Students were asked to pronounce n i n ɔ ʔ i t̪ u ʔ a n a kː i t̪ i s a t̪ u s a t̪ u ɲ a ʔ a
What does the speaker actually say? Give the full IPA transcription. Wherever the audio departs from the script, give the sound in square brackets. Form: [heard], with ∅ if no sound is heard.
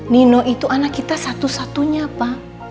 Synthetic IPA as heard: n i n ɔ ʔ i t̪ u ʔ a n a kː i t̪ [a] s a t̪ u s a t̪ u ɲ a [p] a